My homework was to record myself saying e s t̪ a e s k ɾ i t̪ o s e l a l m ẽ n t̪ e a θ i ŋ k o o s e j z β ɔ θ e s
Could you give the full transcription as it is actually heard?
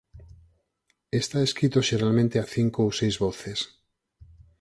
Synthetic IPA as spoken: e s t̪ a e s k ɾ i t̪ o ʃ e ɾ a l m ẽ n t̪ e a θ i ŋ k o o s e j z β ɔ θ e s